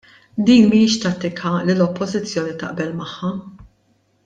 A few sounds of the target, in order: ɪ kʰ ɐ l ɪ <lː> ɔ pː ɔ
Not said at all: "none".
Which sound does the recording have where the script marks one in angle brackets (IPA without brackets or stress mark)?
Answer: l